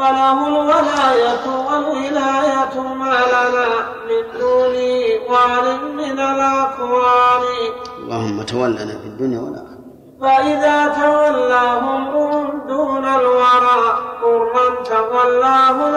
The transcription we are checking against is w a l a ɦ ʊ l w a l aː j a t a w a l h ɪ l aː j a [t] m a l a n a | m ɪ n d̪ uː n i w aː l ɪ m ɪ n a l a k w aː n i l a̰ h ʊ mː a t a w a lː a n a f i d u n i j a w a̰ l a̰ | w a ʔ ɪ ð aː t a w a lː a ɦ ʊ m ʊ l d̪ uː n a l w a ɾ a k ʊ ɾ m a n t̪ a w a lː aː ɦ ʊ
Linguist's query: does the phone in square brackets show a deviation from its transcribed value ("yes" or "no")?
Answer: no